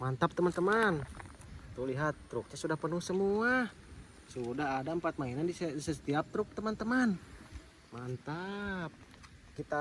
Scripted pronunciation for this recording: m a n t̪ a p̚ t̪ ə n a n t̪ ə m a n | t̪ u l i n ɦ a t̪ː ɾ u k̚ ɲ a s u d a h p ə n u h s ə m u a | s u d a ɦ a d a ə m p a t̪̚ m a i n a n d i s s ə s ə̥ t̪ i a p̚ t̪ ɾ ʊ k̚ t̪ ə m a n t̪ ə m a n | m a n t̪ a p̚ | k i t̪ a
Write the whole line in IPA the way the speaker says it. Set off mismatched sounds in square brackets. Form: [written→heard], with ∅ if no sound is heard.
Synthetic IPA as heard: m a n t̪ a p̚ t̪ ə [n→m] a n t̪ ə m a n | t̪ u l i [n→∅] ɦ a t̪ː ɾ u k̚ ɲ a s u d a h p ə n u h s ə m u a | s u d a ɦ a d a ə m p a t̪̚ m a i n a n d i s s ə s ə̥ t̪ i a p̚ t̪ ɾ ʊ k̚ t̪ ə m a n t̪ ə m a n | m a n t̪ a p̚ | k i t̪ a

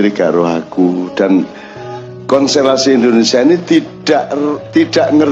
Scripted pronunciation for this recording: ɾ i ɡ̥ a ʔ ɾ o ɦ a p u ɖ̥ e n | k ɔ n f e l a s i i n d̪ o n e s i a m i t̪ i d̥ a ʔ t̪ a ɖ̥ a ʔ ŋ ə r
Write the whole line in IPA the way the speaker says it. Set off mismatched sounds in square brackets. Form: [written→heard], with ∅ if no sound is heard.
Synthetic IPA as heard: ɾ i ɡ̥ a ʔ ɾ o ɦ a [p→k] u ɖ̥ [e→a] n | k ɔ n [f→s] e l a s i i n d̪ o n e s i a [m→n] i t̪ i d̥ a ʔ t̪ [a→i] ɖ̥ a ʔ ŋ ə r

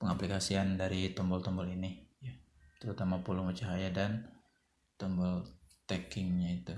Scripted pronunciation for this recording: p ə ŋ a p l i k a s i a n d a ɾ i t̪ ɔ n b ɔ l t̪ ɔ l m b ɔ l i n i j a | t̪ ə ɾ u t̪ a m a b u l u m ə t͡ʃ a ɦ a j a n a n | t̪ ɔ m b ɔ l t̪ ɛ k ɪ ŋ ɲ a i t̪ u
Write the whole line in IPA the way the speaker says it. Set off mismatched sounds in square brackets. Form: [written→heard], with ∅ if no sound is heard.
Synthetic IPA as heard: p ə ŋ a p l i k a s i a n d a ɾ i t̪ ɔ [n→m] b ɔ l t̪ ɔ [l→∅] m b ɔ l i n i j a | t̪ ə ɾ u t̪ a m a [b→p] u l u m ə t͡ʃ a ɦ a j a [n→d] a n | t̪ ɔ m b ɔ l t̪ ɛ k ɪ ŋ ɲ a i t̪ u

